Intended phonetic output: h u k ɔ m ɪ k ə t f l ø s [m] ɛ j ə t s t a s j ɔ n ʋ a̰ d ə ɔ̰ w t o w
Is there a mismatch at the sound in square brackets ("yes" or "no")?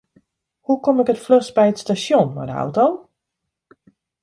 yes